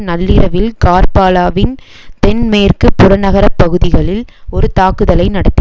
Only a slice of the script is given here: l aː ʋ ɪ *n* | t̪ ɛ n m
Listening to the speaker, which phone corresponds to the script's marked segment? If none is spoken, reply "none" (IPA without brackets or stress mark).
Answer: n